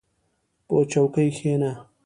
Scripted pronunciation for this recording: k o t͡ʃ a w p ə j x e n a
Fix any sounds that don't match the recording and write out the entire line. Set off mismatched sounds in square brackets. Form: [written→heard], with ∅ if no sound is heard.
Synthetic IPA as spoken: [k→p] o t͡ʃ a w [p→k] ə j x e n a